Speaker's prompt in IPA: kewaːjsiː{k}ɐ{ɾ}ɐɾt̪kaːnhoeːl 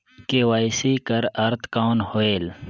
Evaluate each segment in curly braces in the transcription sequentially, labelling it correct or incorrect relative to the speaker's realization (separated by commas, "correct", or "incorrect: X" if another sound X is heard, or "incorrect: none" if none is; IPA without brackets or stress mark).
correct, correct